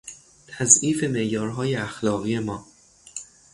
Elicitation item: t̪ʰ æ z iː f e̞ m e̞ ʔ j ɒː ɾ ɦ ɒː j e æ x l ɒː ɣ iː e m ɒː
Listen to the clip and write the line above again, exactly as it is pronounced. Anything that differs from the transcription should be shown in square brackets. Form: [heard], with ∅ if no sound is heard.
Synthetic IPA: t̪ʰ æ z iː f e̞ m e̞ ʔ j ɒː ɾ ɦ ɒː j e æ x l ɒː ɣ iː e m ɒː